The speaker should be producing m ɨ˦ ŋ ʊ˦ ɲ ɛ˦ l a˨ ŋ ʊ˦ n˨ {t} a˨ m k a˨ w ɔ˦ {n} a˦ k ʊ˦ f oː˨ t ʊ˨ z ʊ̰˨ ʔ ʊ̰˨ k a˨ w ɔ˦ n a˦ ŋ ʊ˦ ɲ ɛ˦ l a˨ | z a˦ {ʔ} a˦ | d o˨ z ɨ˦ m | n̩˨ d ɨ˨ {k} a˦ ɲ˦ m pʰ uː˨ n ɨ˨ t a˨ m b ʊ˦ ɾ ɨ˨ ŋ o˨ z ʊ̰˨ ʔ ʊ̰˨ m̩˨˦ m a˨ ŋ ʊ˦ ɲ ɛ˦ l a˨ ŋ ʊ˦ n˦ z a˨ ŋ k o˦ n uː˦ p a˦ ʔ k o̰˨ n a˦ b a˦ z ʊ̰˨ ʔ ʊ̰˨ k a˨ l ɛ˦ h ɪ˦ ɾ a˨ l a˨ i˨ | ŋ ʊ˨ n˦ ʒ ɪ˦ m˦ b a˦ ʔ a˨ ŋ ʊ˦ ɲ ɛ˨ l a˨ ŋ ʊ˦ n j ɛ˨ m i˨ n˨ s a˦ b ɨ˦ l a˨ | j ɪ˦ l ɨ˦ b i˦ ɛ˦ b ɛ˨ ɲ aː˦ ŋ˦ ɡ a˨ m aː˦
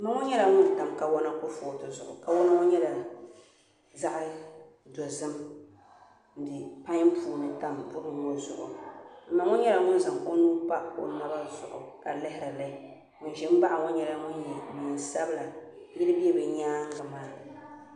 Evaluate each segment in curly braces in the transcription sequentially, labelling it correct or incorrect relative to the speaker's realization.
correct, correct, correct, incorrect: p

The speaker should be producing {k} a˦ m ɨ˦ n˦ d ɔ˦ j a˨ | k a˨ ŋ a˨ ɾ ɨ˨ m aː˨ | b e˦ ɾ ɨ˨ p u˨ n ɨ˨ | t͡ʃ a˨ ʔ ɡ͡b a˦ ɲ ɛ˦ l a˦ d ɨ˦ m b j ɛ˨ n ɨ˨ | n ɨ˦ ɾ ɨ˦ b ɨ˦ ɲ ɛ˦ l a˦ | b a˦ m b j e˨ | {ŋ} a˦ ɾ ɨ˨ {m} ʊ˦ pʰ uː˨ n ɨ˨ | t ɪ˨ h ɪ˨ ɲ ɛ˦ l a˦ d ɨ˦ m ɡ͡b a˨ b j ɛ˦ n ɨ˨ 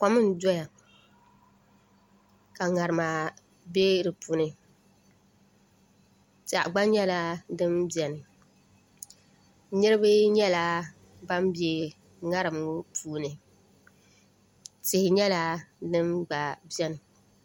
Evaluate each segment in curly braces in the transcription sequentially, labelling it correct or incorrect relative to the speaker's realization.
correct, correct, correct

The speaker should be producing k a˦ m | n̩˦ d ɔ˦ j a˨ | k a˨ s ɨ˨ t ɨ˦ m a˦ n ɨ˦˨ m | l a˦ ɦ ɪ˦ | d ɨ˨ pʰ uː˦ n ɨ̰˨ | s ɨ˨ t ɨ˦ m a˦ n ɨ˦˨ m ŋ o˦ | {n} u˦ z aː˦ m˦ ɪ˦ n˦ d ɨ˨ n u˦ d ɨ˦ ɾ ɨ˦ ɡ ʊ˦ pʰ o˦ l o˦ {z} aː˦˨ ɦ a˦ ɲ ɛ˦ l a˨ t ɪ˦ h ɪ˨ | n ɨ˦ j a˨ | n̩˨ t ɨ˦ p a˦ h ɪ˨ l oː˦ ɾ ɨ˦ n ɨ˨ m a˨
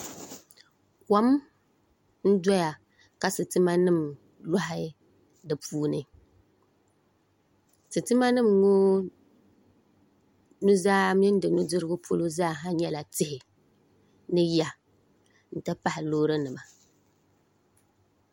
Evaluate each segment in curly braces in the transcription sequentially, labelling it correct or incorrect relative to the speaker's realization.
correct, correct

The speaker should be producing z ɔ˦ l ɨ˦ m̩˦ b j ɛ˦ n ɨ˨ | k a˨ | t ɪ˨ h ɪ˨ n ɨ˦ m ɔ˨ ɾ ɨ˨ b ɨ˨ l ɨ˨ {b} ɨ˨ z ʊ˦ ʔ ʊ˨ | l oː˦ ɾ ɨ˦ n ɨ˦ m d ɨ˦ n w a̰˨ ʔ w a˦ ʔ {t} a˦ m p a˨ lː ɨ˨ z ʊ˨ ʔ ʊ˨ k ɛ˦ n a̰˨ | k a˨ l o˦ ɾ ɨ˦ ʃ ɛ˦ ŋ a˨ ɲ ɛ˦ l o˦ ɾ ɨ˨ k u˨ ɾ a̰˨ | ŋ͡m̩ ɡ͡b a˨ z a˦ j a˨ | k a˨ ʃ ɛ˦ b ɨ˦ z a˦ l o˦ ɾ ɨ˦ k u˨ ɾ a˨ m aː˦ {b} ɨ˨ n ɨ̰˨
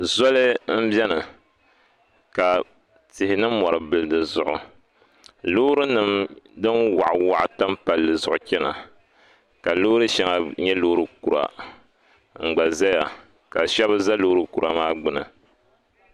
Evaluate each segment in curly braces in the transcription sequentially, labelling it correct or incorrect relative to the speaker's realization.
incorrect: d, correct, incorrect: ɡ͡b

